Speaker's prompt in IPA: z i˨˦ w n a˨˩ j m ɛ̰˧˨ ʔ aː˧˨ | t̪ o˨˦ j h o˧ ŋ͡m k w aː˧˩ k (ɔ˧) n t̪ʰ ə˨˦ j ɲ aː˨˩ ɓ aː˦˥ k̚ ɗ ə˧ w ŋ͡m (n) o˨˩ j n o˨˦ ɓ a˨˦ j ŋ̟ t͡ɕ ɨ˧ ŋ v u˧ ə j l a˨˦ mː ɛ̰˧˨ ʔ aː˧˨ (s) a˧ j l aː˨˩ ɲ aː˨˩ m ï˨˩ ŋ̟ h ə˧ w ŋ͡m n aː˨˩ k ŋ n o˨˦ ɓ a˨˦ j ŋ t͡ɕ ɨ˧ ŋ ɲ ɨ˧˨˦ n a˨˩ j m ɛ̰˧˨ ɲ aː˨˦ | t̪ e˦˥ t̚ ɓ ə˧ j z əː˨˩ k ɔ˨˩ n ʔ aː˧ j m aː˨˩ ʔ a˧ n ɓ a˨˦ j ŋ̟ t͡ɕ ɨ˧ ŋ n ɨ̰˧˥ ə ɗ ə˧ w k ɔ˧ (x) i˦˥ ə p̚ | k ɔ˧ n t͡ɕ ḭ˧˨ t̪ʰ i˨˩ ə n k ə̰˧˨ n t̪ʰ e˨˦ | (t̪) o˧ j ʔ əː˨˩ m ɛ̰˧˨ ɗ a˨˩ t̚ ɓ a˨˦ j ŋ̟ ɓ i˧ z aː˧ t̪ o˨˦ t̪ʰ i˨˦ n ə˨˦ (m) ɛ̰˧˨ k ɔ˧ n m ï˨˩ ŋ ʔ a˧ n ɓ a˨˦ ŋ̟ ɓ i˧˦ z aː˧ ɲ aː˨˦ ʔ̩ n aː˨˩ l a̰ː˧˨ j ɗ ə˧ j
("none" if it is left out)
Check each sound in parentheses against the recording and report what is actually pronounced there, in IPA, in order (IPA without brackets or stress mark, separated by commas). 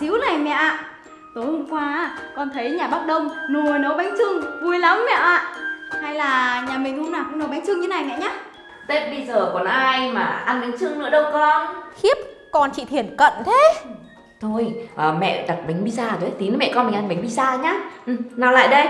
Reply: ɔ˧, n, h, x, t̪ʰ, m